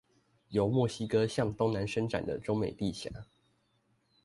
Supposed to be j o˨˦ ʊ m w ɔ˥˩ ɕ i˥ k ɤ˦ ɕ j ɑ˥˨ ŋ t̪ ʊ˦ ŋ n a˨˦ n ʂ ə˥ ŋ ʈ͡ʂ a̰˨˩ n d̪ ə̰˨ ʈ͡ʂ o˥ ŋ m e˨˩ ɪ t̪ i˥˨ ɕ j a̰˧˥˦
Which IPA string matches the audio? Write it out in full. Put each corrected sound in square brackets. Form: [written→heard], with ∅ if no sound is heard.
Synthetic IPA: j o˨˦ ʊ m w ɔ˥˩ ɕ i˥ k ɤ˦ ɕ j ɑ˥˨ ŋ t̪ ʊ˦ ŋ n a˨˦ n ʂ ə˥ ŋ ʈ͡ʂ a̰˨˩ n d̪ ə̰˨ ʈ͡ʂ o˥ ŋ m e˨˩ ɪ t̪ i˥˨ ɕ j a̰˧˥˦